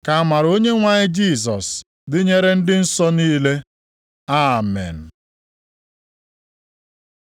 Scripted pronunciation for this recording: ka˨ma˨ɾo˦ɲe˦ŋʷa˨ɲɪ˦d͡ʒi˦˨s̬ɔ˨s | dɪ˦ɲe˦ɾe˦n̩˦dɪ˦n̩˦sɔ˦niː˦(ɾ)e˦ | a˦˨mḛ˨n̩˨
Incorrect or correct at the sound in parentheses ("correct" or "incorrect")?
incorrect